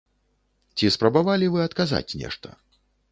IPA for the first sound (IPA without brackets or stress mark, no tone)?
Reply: t͡sʲ